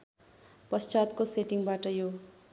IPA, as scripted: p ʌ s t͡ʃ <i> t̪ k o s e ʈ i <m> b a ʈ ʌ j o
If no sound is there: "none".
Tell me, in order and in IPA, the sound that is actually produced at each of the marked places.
a, ŋ

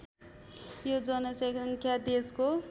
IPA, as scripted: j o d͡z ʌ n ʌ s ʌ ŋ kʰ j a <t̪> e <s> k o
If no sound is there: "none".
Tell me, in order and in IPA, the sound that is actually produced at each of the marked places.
d̪, s

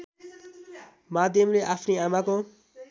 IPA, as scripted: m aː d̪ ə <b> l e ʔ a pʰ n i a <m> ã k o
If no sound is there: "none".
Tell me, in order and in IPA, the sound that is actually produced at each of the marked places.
m, m

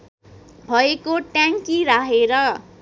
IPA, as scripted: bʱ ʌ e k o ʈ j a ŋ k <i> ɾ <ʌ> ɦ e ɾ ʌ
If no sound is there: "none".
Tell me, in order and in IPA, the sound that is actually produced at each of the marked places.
i, a

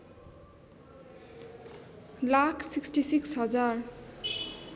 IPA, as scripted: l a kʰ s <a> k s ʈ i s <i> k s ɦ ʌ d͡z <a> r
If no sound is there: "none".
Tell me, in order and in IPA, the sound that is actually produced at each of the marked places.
i, i, a

